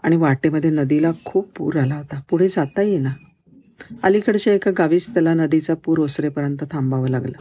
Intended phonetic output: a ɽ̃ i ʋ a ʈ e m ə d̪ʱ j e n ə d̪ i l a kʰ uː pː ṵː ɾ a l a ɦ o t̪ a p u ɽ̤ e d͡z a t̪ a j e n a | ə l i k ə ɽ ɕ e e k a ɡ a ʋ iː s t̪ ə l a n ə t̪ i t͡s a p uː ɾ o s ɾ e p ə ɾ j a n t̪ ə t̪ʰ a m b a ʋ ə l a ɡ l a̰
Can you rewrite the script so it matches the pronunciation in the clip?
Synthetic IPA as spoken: a ɽ̃ i ʋ a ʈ e m ə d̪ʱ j e n ə d̪ i l a kʰ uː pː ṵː ɾ a l a ɦ o t̪ a p u ɽ̤ e d͡z a t̪ a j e n a | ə l i k ə ɽ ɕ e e k a ɡ a ʋ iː s t̪ ə l a n ə d̪ i t͡s a p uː ɾ o s ɾ e p ə ɾ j ə n t̪ ə t̪ʰ a m b a ʋ ə l a ɡ l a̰